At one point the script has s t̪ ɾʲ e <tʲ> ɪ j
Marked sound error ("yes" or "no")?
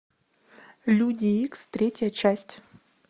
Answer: no